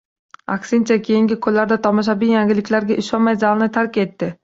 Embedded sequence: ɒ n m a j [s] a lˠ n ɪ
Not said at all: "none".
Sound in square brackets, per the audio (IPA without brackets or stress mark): z